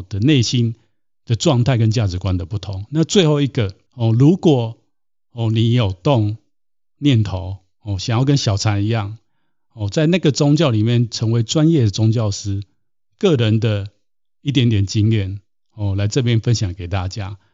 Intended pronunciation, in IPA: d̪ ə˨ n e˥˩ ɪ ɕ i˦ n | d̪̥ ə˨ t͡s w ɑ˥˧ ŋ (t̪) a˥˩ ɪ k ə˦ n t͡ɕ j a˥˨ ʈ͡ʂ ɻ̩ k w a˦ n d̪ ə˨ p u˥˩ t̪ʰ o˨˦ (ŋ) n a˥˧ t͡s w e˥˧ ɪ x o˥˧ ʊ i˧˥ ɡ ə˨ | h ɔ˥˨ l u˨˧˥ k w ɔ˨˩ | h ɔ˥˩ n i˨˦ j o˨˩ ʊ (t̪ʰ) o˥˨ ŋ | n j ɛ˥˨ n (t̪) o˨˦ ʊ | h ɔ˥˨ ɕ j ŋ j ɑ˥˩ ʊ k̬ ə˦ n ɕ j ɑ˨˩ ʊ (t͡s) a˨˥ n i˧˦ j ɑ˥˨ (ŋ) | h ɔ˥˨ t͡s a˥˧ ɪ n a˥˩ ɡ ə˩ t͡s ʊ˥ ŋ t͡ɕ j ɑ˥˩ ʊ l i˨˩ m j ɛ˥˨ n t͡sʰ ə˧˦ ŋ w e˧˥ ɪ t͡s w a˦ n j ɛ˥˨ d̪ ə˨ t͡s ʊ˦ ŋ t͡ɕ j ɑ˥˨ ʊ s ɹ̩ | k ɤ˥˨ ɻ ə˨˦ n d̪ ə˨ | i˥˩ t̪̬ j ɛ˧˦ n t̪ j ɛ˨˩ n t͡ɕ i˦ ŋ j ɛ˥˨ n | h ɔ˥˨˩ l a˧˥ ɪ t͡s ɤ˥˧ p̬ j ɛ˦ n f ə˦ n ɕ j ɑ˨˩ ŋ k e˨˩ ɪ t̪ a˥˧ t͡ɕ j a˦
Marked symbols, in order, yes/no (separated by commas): no, yes, no, no, no, yes